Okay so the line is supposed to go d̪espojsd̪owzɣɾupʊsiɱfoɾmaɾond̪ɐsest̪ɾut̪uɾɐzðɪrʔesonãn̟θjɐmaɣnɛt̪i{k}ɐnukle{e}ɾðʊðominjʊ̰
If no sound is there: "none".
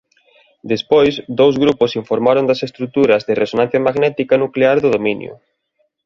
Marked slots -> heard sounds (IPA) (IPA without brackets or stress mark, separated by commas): k, a